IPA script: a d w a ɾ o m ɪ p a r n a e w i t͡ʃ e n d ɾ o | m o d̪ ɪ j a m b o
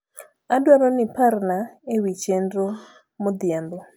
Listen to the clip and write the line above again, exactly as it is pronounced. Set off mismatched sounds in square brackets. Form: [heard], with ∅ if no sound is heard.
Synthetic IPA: a d w a ɾ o [n] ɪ p a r n a e w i t͡ʃ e n d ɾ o | m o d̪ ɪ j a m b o